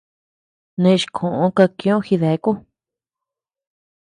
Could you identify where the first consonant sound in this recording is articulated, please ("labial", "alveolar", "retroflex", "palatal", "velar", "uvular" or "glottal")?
alveolar